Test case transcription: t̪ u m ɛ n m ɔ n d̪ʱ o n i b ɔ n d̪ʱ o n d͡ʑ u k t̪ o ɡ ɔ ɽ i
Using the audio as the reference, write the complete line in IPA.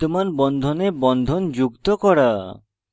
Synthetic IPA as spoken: t̪ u m a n b ɔ n d̪ʱ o n e b ɔ n d̪ʱ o n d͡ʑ u k t̪ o k ɔ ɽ a